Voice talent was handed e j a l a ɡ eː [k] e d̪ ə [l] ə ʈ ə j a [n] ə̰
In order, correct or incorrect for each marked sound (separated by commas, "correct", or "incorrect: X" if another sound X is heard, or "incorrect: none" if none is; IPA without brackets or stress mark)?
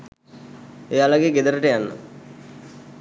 incorrect: ɡ, incorrect: ɾ, incorrect: nː